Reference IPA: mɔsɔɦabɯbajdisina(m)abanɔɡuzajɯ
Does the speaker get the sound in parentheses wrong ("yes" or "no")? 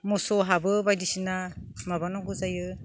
no